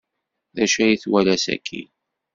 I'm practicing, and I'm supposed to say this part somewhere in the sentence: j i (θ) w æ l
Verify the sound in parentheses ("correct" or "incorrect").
correct